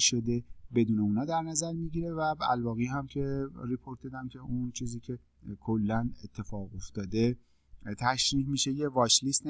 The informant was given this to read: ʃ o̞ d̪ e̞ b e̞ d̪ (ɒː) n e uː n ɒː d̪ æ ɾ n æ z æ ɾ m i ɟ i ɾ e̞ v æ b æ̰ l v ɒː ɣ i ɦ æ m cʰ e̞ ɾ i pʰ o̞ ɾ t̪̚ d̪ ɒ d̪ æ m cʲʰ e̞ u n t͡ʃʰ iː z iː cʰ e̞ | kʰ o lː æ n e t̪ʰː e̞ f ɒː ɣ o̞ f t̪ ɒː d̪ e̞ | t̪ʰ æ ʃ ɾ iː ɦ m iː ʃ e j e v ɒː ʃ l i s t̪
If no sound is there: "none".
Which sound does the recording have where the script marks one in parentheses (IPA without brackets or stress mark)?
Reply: uː